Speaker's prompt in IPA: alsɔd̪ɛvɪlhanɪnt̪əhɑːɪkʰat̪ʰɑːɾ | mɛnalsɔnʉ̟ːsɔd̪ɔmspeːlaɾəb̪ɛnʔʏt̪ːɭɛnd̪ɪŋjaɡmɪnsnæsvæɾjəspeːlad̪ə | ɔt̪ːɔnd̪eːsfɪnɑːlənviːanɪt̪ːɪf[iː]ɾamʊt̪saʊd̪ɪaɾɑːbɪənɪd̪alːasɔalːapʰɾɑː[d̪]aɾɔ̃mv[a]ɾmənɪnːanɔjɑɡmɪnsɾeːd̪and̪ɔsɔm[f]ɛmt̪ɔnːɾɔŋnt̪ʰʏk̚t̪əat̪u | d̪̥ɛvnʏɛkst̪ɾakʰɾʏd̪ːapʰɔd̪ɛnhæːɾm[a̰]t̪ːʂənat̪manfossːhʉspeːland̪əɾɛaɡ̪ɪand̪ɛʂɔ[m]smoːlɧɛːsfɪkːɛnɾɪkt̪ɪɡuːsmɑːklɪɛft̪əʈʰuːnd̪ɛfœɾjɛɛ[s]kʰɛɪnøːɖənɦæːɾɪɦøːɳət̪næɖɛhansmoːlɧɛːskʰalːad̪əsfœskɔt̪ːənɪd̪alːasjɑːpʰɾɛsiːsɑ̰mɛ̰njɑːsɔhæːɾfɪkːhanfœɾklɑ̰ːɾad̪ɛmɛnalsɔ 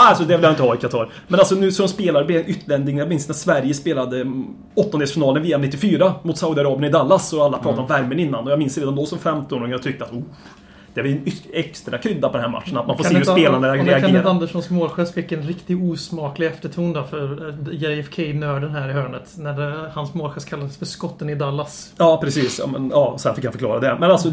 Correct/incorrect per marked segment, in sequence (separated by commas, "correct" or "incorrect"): incorrect, incorrect, incorrect, correct, correct, incorrect, incorrect